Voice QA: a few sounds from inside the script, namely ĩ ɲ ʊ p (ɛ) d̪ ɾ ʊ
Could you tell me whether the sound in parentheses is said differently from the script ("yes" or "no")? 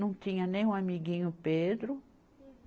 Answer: yes